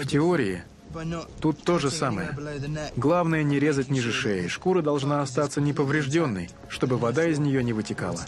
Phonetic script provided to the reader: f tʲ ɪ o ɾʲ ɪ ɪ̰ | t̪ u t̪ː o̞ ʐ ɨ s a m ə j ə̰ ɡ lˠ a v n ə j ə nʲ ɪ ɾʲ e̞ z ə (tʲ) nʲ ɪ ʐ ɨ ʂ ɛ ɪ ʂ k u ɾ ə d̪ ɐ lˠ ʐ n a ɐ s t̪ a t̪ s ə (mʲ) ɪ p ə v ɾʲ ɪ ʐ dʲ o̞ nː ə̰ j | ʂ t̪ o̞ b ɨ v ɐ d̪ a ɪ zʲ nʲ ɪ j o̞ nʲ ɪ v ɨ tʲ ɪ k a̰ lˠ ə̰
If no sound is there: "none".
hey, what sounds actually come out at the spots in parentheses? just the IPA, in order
tʲ, nʲ

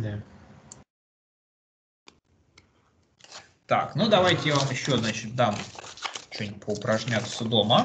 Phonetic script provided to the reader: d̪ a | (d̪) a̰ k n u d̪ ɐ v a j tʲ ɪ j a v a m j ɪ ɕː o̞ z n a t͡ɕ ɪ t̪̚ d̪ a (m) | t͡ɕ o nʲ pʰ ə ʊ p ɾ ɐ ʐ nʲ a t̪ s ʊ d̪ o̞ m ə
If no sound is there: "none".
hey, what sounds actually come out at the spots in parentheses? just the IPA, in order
t̪, m

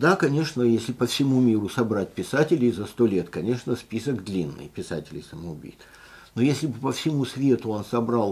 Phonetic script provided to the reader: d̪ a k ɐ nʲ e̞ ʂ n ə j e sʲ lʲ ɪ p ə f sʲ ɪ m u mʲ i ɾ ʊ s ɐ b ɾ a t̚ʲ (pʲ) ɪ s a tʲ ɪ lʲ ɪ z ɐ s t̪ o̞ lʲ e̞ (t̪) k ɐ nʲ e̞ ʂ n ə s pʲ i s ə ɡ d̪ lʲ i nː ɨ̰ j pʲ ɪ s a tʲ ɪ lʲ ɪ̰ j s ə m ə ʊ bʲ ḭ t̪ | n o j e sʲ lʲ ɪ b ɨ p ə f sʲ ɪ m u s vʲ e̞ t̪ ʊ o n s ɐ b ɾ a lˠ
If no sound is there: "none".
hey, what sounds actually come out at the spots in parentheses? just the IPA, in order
pʲ, t̪

